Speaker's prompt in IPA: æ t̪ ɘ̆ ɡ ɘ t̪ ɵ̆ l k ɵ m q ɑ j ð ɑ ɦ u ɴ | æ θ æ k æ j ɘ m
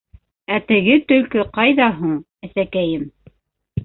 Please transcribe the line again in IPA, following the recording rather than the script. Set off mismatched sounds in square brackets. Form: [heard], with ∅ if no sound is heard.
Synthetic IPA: æ t̪ ɘ̆ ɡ ɘ t̪ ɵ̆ l k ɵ [∅] q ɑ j ð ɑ ɦ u ɴ | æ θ æ k æ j ɘ m